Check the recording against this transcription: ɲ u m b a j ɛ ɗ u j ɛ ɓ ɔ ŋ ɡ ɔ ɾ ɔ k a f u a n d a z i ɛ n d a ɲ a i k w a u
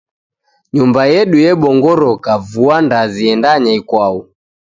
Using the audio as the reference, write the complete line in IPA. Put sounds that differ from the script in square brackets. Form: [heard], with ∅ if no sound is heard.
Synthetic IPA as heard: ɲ u m b a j ɛ ɗ u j ɛ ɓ ɔ ŋ ɡ ɔ ɾ ɔ k a [v] u a n d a z i ɛ n d a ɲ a i k w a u